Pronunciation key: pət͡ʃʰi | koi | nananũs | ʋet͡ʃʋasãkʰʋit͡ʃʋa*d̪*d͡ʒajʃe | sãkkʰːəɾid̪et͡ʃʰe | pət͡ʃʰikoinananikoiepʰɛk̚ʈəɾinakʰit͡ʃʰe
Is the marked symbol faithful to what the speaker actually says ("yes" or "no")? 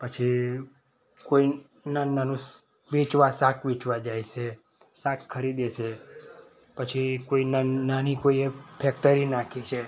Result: no